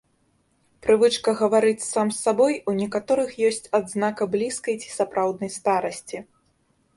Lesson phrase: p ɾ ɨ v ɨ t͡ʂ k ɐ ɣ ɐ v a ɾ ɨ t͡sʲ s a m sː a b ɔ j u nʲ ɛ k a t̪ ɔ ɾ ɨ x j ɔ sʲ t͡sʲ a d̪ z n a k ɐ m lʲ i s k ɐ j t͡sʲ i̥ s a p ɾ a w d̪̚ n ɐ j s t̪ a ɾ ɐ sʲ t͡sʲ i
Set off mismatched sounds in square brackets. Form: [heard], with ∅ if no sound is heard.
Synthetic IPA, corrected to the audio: p ɾ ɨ v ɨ t͡ʂ k ɐ ɣ ɐ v a ɾ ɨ t͡sʲ s a m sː a b ɔ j u nʲ ɛ k a t̪ ɔ ɾ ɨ x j ɔ sʲ t͡sʲ a d̪ z n a k ɐ [b] lʲ i s k ɐ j t͡sʲ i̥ s a p ɾ a w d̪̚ n ɐ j s t̪ a ɾ ɐ sʲ t͡sʲ i